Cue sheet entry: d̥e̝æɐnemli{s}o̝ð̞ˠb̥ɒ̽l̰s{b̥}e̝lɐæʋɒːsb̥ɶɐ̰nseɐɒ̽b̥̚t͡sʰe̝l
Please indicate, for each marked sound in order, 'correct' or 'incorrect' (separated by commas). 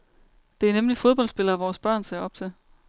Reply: incorrect, correct